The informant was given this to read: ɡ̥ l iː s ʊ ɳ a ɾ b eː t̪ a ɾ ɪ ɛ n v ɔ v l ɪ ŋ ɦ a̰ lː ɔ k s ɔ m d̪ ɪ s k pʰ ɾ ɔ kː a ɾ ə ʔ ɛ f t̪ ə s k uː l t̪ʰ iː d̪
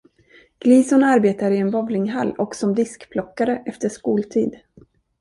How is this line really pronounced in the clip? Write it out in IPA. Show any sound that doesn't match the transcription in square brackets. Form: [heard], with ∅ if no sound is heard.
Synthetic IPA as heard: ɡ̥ l iː s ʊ [n] a ɾ b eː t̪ a ɾ ɪ ɛ n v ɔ v l ɪ ŋ ɦ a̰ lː ɔ k s ɔ m d̪ ɪ s k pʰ [l] ɔ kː a ɾ ə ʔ ɛ f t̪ ə [ʂ] k uː l t̪ʰ iː d̪